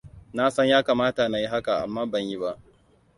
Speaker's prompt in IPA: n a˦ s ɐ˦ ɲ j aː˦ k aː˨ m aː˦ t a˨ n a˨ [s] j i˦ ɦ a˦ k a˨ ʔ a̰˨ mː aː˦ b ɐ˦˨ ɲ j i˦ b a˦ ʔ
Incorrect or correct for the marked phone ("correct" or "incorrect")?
incorrect